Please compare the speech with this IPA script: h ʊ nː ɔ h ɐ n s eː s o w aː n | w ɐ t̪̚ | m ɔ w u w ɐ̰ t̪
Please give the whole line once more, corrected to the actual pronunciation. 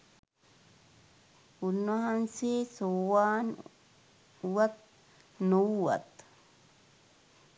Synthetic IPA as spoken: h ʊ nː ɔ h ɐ n s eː s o w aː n | w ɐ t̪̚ | n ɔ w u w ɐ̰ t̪